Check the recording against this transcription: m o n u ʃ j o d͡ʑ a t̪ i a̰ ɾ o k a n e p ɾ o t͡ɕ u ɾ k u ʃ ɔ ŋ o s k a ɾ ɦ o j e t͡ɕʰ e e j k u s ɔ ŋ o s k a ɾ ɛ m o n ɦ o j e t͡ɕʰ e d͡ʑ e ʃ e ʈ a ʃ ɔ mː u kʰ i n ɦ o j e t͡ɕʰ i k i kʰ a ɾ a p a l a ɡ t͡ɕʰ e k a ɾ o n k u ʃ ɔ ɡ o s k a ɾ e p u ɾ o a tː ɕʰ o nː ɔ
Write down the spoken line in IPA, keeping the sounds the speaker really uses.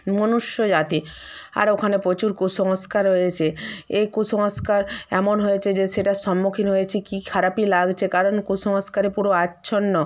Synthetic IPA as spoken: m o n u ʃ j o d͡ʑ a t̪ i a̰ ɾ o kʰ a n e p ɾ o t͡ɕ u ɾ k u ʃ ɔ ŋ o s k a ɾ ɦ o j e t͡ɕʰ e e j k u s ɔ ŋ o s k a ɾ ɛ m o n ɦ o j e t͡ɕʰ e d͡ʑ e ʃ e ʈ a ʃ ɔ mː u kʰ i n ɦ o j e t͡ɕʰ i k i kʰ a ɾ a p i l a ɡ t͡ɕʰ e k a ɾ o n k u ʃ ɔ ŋ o s k a ɾ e p u ɾ o a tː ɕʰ o nː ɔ